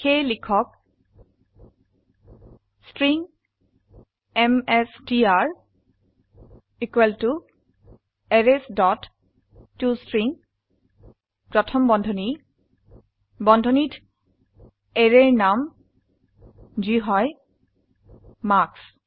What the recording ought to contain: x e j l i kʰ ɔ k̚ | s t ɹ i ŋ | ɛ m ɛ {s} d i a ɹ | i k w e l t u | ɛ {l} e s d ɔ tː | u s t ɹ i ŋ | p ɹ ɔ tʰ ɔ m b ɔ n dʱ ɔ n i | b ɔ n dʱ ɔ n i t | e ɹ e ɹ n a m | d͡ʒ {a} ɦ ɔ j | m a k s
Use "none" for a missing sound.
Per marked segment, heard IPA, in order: s, ɹ, i

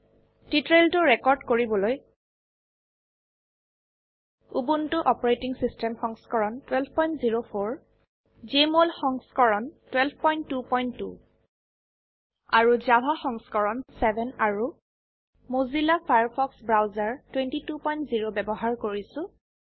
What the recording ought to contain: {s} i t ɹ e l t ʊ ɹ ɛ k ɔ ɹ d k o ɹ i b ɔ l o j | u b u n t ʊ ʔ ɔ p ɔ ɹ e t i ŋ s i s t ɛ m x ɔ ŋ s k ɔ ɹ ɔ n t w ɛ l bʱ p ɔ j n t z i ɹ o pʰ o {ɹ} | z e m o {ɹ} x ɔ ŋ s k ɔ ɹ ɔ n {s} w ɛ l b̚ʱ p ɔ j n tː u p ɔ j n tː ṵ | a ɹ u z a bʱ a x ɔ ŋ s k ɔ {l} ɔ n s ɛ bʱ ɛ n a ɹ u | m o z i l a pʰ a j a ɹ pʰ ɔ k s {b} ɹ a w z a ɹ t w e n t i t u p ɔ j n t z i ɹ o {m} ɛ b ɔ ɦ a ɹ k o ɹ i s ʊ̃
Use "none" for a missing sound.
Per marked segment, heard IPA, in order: t, ɹ, l, t, ɹ, b, b

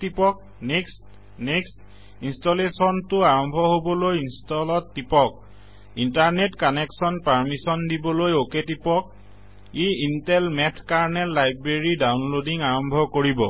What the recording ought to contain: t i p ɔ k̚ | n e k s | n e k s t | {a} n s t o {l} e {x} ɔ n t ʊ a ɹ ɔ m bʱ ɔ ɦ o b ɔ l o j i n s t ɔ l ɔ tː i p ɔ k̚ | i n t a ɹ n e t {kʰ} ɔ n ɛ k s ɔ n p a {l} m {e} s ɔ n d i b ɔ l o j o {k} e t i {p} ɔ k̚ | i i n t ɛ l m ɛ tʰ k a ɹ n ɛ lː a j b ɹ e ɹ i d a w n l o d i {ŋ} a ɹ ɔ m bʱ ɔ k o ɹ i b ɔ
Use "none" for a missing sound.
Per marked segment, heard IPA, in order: i, l, s, k, ɹ, i, k, p, ŋ

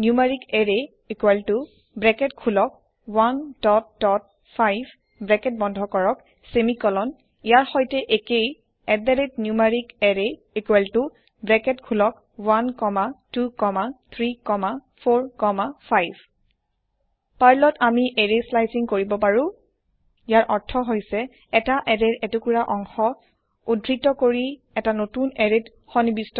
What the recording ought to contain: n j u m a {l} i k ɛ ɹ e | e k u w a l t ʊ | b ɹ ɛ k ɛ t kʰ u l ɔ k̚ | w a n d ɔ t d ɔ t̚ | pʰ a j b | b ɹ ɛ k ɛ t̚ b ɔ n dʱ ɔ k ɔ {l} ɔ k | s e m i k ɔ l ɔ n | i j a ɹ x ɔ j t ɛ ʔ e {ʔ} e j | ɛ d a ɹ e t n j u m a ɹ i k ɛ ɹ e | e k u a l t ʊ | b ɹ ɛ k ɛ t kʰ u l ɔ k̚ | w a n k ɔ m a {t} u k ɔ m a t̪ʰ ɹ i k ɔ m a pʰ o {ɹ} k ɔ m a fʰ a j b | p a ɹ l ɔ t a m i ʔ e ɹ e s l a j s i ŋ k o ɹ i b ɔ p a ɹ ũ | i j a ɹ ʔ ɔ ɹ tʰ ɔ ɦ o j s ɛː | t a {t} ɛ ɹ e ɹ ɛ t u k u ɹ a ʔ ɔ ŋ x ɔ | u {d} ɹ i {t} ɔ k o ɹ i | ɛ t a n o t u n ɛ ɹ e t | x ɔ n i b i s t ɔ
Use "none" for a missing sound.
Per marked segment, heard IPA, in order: ɹ, ɹ, k, t, ɹ, ʔ, d, t

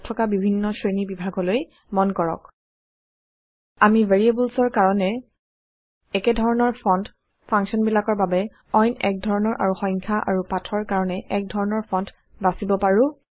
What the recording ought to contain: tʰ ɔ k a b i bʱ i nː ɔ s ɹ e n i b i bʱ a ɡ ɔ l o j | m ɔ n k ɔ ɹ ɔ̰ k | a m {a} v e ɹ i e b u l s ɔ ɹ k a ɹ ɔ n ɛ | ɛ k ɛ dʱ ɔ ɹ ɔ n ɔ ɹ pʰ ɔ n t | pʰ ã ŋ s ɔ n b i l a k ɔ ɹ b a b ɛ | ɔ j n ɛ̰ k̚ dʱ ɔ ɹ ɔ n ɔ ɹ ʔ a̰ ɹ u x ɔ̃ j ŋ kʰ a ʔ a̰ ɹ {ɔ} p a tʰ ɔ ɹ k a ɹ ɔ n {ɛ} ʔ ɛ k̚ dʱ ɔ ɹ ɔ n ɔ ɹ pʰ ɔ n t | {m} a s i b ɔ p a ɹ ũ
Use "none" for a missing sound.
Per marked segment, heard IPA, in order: i, u, ɛ, b

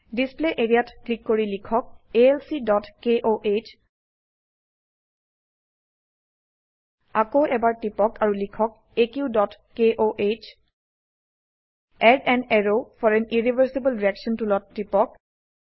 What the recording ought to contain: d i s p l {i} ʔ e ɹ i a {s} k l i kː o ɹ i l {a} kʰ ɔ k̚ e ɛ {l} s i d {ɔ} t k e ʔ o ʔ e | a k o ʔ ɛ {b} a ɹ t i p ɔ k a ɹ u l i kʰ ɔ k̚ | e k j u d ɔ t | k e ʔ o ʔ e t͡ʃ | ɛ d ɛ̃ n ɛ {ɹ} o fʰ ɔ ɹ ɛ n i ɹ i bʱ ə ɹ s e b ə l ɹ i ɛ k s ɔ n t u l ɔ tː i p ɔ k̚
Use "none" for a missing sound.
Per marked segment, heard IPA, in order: e, t, i, l, ɔ, b, ɹ

